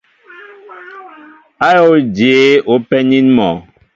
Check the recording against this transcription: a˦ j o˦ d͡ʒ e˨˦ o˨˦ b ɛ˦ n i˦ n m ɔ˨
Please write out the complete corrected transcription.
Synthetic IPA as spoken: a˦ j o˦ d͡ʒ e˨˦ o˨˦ p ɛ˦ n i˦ n m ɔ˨